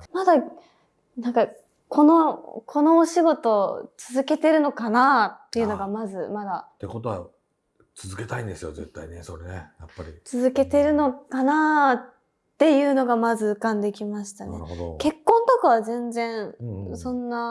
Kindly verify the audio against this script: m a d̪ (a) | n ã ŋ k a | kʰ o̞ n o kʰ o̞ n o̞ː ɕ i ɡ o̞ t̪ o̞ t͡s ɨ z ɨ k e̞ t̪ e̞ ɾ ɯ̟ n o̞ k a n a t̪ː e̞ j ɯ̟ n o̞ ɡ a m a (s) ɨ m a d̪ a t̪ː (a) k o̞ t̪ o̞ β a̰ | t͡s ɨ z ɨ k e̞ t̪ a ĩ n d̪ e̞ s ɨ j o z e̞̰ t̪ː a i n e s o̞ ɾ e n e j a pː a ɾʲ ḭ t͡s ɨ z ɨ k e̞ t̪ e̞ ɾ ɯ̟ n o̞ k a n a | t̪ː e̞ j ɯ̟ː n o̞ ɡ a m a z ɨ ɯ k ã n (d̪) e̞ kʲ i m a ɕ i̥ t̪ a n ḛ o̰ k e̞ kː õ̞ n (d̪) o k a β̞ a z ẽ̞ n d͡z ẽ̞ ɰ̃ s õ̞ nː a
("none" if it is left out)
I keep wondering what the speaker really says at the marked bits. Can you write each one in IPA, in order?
a, z, e, d̪, t̪

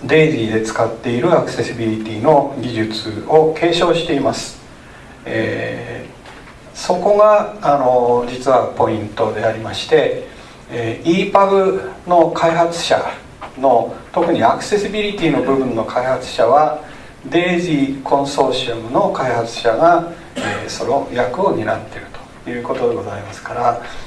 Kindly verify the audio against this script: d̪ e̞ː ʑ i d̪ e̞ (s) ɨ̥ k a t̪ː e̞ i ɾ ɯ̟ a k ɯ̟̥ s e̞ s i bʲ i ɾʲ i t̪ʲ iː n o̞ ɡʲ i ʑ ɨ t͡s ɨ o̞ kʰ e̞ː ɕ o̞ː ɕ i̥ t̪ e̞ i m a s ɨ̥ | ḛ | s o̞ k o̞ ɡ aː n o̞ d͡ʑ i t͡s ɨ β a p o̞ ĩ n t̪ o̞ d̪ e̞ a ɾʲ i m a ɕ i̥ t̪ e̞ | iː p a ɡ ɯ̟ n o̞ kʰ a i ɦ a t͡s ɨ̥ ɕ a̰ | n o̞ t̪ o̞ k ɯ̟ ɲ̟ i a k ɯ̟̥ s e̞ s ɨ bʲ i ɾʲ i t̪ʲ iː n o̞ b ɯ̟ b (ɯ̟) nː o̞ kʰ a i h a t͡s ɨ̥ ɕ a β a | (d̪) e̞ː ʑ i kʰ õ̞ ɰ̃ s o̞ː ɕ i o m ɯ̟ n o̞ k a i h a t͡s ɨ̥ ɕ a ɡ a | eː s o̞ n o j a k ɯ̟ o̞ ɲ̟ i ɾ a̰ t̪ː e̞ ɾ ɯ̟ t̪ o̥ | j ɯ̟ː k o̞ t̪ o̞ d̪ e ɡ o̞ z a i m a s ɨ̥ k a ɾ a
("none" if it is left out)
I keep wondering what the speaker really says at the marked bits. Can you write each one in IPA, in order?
t͡s, ɯ̟̃, d̪

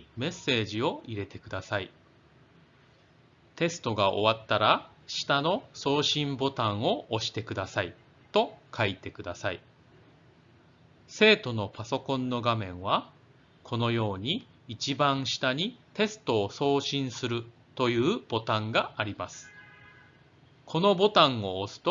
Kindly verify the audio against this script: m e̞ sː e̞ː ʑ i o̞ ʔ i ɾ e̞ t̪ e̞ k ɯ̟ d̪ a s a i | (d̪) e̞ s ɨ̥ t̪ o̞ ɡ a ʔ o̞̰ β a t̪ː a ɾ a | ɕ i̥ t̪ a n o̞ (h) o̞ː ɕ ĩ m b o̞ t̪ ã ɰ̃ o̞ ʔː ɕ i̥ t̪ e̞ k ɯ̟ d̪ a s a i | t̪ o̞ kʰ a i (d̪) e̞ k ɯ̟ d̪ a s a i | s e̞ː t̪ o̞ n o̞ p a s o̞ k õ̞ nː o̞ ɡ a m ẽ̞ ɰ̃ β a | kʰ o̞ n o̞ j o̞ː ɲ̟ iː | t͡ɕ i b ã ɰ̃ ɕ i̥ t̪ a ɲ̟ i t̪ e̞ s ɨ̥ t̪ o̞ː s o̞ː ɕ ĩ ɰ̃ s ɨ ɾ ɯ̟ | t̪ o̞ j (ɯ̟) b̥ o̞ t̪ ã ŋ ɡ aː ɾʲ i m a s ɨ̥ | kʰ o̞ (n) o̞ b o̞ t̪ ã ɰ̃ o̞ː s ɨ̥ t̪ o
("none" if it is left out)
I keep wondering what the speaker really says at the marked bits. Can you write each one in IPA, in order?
t̪, s, t̪, ɯ̟ː, n

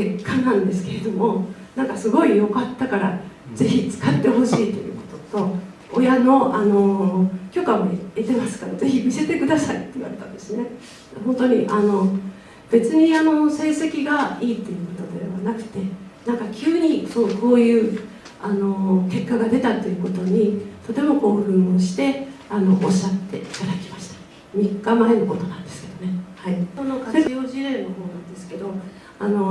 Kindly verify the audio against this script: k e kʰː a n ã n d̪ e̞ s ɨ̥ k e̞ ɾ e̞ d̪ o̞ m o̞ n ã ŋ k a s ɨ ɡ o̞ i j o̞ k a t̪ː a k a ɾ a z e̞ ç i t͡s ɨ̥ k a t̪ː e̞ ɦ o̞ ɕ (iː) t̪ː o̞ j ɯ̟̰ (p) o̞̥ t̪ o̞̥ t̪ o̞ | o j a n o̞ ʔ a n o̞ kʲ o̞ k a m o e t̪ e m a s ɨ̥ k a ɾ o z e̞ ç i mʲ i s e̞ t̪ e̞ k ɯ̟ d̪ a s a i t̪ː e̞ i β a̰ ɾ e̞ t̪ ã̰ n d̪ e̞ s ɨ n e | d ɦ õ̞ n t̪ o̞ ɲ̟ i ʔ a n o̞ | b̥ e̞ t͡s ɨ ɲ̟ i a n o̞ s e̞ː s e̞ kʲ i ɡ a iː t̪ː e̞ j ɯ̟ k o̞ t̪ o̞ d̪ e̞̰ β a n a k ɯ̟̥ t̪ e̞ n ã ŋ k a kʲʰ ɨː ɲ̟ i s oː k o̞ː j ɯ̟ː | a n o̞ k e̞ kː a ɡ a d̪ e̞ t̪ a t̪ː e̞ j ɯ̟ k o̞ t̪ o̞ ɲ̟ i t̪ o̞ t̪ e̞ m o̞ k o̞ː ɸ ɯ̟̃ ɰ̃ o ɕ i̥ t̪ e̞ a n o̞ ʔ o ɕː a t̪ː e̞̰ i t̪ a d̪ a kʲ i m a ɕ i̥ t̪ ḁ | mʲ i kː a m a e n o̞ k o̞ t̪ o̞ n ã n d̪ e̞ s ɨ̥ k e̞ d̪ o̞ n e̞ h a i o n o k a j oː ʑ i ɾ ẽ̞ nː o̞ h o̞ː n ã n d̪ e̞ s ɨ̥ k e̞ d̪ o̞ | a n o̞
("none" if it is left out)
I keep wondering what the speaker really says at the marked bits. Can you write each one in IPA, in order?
iː, k

